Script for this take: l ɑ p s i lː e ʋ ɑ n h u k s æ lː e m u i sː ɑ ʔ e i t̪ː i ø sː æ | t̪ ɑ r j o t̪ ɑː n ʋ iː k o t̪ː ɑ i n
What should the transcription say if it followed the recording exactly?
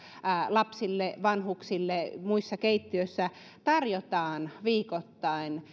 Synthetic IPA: l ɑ p s i lː e ʋ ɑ n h u k s i lː e m u i sː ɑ k e i t̪ː i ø sː æ | t̪ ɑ r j o t̪ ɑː n ʋ iː k o t̪ː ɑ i n